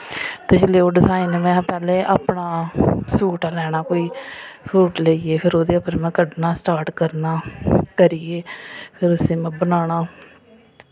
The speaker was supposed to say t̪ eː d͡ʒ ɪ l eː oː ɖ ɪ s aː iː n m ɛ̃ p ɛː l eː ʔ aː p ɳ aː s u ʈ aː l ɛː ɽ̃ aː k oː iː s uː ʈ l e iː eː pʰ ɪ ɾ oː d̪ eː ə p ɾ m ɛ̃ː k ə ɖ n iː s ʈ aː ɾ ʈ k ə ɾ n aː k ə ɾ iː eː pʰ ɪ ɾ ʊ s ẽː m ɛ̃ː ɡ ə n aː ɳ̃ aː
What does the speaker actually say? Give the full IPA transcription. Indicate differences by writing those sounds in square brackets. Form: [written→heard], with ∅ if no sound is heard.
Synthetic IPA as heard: t̪ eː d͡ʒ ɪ l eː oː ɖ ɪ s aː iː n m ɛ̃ p ɛː l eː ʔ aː p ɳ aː s [u→uː] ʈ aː l ɛː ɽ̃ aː k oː iː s uː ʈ l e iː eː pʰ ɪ ɾ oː d̪ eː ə p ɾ m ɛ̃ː k ə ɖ n [iː→aː] s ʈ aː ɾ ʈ k ə ɾ n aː k ə ɾ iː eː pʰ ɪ ɾ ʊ s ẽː m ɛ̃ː [ɡ→b] ə n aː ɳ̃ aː